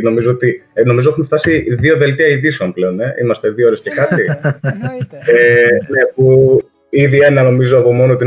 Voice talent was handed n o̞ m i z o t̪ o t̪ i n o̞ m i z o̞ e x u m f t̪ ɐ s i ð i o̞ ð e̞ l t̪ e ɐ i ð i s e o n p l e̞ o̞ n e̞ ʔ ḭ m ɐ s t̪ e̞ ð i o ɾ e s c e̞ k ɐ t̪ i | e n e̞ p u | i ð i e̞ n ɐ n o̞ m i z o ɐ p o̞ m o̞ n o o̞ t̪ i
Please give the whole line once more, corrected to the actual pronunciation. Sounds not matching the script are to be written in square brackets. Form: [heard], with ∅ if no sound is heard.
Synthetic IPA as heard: n o̞ m i z o [∅] o t̪ i n o̞ m i z o̞ e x u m f t̪ ɐ s i ð i o̞ ð e̞ l t̪ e ɐ i ð i s e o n p l e̞ o̞ n e̞ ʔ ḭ m ɐ s t̪ e̞ ð i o ɾ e s c e̞ k ɐ t̪ i | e n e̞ p u | i ð i e̞ n ɐ n o̞ m i z o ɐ p o̞ m o̞ n o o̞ t̪ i